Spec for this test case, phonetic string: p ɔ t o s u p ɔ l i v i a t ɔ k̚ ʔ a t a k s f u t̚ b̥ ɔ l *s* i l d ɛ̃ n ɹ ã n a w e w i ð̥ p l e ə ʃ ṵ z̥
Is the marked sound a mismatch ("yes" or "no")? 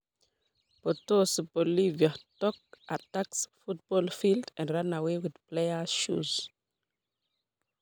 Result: yes